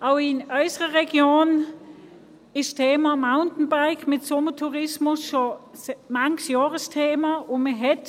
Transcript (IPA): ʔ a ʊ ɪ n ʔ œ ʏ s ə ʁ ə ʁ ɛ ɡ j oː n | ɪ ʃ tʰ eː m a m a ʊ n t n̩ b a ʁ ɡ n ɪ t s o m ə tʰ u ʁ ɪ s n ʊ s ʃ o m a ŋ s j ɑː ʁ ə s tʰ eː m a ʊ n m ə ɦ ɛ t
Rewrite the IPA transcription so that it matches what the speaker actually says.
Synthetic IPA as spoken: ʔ a ʊ ɪ n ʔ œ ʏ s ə ʁ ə ʁ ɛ ɡ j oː n | ɪ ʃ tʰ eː m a m a ʊ n t n̩ b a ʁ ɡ m ɪ t s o m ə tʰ u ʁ ɪ s m ʊ s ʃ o m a ŋ s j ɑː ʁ ə s tʰ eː m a ʊ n m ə ɦ ɛ t

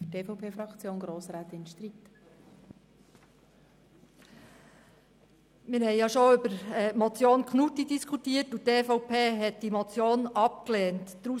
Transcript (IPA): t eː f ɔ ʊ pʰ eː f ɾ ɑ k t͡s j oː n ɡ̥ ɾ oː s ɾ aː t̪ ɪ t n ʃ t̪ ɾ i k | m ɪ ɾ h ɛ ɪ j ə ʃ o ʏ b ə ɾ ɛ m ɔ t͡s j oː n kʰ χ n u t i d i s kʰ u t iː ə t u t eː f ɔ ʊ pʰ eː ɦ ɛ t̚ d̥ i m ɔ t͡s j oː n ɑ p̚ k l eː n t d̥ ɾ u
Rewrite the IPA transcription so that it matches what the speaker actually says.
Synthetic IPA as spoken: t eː f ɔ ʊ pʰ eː f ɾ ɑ k t͡s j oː n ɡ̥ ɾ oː s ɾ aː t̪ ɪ n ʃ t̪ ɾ i t | m ɪ ɾ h ɛ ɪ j ɑ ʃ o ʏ b ə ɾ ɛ m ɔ t͡s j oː n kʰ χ n u t i d i s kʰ u t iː ə t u t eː f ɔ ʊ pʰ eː ɦ ɛ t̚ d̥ i m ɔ t͡s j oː n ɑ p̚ k l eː n t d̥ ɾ u

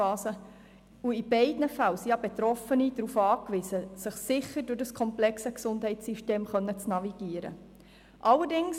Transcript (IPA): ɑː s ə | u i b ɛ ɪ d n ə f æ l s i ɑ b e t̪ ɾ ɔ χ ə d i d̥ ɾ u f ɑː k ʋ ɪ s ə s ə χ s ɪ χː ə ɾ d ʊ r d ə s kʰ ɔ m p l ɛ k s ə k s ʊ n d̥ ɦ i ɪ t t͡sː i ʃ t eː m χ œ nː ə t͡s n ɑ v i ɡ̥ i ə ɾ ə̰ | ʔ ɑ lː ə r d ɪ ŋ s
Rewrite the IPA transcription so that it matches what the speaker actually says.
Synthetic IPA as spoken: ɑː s ə | u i b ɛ ɪ d n ə f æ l s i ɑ b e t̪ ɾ ɔ f ə n i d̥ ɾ u f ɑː k ʋ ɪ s ə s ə χ s ɪ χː ə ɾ d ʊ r d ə s kʰ ɔ m p l ɛ k s ə k s ʊ n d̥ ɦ ɛ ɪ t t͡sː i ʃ t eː m χ œ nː ə t͡s n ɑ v i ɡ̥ i ə ɾ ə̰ | ʔ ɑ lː ə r d ɪ ŋ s

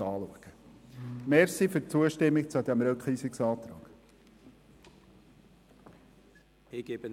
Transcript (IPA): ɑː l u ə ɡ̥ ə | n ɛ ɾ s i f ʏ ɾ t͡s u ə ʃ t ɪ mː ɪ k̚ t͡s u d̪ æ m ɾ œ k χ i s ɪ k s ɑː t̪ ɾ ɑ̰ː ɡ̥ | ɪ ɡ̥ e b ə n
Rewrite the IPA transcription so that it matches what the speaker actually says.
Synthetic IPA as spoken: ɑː l u ə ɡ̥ ə | m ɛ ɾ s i f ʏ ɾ t͡s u ə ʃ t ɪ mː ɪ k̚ t͡s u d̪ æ m ɾ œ k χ i s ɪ k s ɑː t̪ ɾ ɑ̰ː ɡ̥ | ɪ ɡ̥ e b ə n

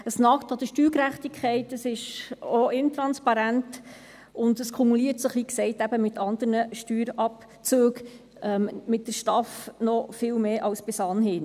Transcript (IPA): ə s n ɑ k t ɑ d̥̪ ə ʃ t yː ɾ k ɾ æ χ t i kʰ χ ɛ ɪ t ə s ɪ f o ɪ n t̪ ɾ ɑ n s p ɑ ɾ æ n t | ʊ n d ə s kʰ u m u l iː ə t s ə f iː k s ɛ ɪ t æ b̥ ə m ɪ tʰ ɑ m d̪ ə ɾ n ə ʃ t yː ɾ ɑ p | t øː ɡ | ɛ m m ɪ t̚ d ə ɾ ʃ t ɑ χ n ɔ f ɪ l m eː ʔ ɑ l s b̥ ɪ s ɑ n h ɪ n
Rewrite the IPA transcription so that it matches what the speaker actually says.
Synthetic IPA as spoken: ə s n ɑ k t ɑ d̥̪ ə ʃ t yː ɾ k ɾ æ χ t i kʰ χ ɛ ɪ t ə s ɪ ʃ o ɪ n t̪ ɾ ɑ n s p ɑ ɾ æ n t | ʊ n d ə s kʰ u m u l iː ə t s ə χ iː k s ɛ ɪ t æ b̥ ə m ɪ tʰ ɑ n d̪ ə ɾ n ə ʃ t yː ɾ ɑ p | t͡s øː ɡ | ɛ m m ɪ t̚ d ə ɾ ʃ t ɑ f n ɔ f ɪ l m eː ʔ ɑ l s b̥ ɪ s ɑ n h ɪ n

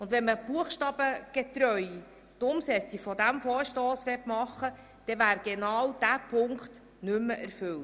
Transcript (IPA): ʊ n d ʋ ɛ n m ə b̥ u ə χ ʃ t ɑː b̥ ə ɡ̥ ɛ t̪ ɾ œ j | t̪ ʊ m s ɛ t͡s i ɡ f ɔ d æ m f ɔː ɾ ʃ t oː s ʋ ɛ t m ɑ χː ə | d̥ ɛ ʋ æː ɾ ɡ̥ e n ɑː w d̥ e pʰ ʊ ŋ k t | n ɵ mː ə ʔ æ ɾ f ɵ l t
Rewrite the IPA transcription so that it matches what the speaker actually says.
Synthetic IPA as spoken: ʊ n d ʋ ɛ n m ə b̥ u ə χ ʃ t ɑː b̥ ə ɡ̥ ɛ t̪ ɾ œ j | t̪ ʊ m s ɛ t͡s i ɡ f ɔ d æ m f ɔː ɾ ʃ t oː s ʋ ɛ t m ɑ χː ə | d̥ ɛ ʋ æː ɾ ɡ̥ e n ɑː w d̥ æ pʰ ʊ ŋ k t | n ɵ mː ə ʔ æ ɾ f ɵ l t

